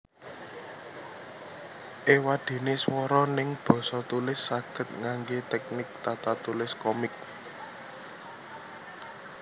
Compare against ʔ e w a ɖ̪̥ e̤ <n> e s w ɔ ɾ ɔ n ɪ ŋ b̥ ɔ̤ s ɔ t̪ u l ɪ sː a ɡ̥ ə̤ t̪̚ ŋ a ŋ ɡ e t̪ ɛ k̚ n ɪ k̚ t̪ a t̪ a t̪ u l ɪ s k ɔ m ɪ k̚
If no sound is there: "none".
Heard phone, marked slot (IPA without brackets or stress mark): n